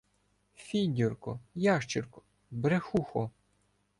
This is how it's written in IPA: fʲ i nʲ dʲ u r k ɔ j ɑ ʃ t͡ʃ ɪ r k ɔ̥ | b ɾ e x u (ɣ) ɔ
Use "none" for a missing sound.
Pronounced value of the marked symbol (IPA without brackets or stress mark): x